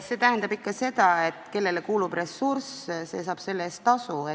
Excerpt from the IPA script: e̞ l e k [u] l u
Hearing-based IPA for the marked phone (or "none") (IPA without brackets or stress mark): uː